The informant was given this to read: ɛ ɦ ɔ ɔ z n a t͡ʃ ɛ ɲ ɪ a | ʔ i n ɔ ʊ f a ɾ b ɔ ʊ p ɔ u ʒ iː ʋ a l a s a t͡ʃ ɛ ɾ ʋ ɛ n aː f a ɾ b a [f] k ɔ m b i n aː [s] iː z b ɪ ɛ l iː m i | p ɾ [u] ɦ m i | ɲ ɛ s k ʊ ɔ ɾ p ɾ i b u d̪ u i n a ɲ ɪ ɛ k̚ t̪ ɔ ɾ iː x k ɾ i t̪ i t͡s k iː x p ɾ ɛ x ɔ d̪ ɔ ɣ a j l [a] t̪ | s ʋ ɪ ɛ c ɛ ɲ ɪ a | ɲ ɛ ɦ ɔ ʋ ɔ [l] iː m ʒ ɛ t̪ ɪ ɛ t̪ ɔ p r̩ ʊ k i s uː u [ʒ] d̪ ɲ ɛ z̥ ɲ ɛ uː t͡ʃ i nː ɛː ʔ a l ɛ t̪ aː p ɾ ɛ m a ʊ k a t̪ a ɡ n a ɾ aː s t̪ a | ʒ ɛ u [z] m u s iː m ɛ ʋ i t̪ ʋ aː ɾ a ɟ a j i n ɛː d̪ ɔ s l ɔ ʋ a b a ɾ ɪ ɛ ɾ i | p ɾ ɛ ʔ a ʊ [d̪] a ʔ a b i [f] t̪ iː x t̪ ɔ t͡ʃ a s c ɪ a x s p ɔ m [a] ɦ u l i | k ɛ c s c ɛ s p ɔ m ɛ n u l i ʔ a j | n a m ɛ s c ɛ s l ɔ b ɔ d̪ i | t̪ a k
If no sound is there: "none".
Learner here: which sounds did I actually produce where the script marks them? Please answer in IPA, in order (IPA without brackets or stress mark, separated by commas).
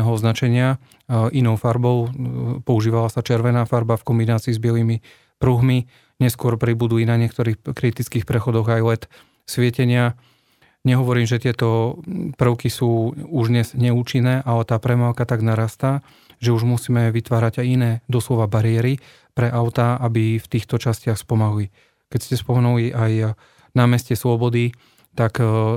f, t͡s, u, ɛ, ɾ, ʒ, ʒ, t̪, f, a